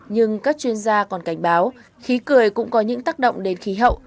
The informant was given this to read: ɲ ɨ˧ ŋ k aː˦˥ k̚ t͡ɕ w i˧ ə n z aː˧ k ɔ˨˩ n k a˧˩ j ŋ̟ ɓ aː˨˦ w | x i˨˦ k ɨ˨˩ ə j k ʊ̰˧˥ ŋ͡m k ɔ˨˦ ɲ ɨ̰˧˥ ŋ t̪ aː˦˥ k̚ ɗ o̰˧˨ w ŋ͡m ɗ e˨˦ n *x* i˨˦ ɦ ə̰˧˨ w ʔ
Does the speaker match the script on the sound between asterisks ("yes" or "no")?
yes